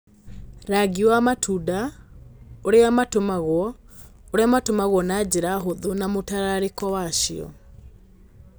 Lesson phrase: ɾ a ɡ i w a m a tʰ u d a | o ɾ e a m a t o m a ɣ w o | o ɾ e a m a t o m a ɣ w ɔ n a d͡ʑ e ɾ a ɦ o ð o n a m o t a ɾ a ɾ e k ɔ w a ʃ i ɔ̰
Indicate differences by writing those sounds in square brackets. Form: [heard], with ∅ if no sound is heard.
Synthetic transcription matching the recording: ɾ a ɡ i w a m a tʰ u d a | o ɾ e a m a t o m a ɣ w [ɔ] | o ɾ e a m a t o m a ɣ w ɔ n a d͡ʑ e ɾ a ɦ o ð o n a m o t a ɾ a ɾ e k ɔ w a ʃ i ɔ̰